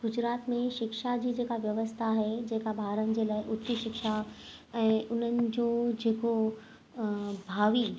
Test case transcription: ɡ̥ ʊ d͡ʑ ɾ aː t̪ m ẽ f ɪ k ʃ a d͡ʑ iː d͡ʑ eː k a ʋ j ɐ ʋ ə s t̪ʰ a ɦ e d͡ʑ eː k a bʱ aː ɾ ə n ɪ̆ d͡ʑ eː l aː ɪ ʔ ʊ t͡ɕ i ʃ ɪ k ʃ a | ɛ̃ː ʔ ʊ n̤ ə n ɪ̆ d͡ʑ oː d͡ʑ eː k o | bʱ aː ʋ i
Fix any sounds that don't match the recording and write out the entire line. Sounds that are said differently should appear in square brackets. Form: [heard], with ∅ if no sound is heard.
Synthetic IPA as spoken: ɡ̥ ʊ d͡ʑ ɾ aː t̪ m ẽ [ʃ] ɪ k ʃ a d͡ʑ iː d͡ʑ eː k a ʋ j ɐ ʋ ə s t̪ʰ a ɦ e d͡ʑ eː k a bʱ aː ɾ ə n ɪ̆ d͡ʑ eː l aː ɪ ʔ ʊ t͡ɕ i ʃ ɪ k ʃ a | ɛ̃ː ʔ ʊ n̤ ə n ɪ̆ d͡ʑ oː d͡ʑ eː k o | bʱ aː ʋ i